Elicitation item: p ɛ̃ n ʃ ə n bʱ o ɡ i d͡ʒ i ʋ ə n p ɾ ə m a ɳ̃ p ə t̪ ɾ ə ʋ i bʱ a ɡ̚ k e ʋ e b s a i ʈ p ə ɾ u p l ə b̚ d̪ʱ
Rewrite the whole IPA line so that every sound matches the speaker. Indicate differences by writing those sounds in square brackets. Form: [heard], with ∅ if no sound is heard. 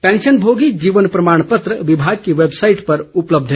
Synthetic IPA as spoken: p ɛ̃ n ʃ ə n bʱ o ɡ i d͡ʒ i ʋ ə n p ɾ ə m a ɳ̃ p ə t̪ ɾ ə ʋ i bʱ a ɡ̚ k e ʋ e b s a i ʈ p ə ɾ u p l ə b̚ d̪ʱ